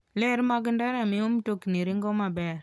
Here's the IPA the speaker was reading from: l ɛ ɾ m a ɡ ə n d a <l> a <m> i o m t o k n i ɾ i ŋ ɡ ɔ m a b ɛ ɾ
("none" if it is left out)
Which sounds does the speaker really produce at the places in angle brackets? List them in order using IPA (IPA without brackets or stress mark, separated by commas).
ɾ, m